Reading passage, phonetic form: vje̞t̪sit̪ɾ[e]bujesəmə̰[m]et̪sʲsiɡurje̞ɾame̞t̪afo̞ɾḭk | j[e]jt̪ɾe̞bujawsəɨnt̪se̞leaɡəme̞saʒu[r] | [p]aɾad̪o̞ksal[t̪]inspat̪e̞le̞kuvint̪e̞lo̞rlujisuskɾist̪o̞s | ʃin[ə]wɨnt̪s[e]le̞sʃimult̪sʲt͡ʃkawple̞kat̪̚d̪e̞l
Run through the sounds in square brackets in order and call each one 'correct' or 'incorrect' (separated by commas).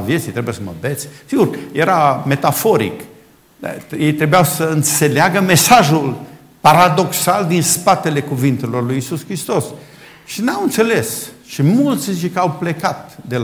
correct, incorrect, correct, incorrect, correct, incorrect, incorrect, correct